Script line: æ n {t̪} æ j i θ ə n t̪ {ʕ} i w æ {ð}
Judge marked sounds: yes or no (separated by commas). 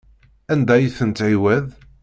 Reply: no, yes, yes